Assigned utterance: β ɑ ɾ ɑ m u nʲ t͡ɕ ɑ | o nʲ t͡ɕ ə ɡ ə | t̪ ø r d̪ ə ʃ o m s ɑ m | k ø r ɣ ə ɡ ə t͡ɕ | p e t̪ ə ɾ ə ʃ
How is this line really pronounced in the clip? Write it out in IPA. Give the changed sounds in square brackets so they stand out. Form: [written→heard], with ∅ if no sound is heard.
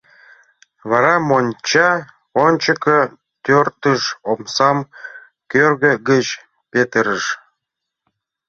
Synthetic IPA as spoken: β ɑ ɾ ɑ m [u→o] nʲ t͡ɕ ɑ | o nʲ t͡ɕ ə [ɡ→k] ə | t̪ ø r [d̪→t̪] ə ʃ o m s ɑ m | k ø r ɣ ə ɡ ə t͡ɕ | p e t̪ ə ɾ ə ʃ

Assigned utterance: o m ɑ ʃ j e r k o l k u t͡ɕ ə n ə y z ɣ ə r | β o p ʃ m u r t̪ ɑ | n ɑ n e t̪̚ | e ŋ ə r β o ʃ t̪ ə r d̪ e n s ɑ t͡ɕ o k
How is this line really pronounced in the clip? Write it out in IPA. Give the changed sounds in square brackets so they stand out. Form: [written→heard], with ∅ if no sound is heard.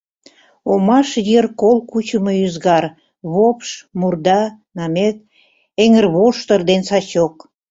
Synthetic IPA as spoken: o m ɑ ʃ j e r k o l k u t͡ɕ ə [n→m] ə y z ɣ [ə→ɑ] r | β o p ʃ m u r [t̪→d̪] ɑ | n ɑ [n→m] e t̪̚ | e ŋ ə r β o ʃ t̪ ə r d̪ e n s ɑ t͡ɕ o k

